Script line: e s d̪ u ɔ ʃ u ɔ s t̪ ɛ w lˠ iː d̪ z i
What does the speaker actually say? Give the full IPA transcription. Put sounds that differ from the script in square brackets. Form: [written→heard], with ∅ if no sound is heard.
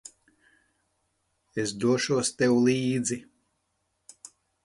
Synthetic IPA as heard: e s d̪ u ɔ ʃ u ɔ s t̪ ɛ w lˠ iː d̪ z i